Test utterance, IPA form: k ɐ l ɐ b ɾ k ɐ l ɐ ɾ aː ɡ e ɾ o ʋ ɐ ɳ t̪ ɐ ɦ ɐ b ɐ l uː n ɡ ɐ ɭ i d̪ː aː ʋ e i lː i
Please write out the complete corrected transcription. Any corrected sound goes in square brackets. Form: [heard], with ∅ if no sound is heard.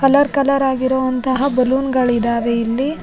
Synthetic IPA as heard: k ɐ l ɐ [∅] ɾ k ɐ l ɐ ɾ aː ɡ [i] ɾ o ʋ ɐ [n] t̪ ɐ ɦ ɐ b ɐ l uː n ɡ ɐ ɭ i [d̪] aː ʋ e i lː i